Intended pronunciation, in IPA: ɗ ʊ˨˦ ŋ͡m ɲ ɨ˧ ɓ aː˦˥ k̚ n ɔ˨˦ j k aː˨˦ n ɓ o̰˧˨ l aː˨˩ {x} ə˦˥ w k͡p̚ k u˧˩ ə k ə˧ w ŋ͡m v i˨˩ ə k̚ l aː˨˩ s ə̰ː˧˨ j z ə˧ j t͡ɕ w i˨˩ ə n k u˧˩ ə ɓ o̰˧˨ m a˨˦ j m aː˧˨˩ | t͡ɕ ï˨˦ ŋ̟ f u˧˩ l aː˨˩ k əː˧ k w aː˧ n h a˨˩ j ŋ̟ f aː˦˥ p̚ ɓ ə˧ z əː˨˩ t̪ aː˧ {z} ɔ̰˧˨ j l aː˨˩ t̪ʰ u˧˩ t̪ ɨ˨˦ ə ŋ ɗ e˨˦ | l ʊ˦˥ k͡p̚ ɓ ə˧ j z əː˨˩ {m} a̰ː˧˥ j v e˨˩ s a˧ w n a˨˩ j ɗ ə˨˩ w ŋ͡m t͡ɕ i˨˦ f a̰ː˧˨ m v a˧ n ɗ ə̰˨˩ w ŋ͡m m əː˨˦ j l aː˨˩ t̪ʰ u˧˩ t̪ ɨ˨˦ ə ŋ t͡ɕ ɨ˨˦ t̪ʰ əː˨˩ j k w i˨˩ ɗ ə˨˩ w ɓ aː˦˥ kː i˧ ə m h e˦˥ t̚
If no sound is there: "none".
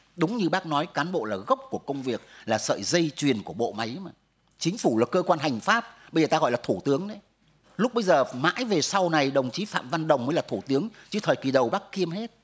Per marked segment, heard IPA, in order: ɣ, ɣ, m

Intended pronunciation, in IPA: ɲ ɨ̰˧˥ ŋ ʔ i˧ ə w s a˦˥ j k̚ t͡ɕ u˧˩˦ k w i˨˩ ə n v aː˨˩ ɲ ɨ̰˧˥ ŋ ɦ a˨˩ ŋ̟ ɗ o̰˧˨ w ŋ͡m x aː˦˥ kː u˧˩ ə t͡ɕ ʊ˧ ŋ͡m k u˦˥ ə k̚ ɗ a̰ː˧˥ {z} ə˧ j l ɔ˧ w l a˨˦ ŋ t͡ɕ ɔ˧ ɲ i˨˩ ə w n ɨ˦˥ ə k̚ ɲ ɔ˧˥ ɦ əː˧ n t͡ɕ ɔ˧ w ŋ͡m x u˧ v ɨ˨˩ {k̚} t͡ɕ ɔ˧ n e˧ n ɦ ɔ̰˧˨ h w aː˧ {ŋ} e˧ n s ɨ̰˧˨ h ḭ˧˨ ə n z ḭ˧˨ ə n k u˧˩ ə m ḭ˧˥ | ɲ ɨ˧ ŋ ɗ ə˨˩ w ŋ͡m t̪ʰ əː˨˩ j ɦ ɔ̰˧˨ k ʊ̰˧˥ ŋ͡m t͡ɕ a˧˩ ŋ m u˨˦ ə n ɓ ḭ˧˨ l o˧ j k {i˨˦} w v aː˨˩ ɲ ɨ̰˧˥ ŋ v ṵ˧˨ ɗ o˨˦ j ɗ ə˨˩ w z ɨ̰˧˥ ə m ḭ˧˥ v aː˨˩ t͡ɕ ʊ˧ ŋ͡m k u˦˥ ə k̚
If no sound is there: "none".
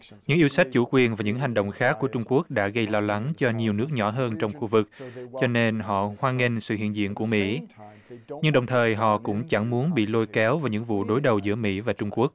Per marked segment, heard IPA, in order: ɣ, k̚, ŋ, ɛ˨˦

